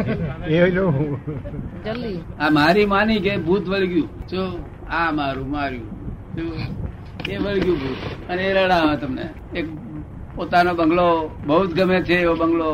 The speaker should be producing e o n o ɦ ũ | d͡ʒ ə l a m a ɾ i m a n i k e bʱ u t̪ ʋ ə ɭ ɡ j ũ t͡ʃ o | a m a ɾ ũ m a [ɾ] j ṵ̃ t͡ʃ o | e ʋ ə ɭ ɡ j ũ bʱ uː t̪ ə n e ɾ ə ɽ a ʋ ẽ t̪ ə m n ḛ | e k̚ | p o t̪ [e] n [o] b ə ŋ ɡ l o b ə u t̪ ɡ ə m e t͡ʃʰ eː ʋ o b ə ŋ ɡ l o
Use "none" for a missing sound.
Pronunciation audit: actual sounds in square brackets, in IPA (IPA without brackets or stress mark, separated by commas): ɾ, a, o